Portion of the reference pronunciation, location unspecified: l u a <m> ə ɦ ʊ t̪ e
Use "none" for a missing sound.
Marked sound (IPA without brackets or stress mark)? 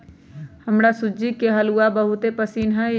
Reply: b